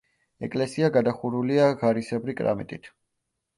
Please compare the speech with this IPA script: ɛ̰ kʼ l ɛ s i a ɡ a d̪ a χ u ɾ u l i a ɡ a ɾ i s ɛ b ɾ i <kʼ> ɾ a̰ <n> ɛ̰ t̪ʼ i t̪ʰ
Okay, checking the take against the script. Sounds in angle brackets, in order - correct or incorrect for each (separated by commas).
correct, incorrect